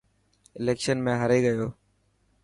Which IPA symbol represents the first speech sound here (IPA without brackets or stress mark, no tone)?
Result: ɪ